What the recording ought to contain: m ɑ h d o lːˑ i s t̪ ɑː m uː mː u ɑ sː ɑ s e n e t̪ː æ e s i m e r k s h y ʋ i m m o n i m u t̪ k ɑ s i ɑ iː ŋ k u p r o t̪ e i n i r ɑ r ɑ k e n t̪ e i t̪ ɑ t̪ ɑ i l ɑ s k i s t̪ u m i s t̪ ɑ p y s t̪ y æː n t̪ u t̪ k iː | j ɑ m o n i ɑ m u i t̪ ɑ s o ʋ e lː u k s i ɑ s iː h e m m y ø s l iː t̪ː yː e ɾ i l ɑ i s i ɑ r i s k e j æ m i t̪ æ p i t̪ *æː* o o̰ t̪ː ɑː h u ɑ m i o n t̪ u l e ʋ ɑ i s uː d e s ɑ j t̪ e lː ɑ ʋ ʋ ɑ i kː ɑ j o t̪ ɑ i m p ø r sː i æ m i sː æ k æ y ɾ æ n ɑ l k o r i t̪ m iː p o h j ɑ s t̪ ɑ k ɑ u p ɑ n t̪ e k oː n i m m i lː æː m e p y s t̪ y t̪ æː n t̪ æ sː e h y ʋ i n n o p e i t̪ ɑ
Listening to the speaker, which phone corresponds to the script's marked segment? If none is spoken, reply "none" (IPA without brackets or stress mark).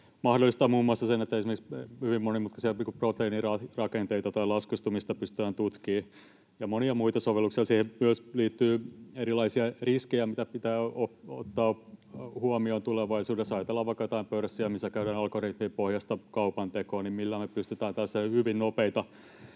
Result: æː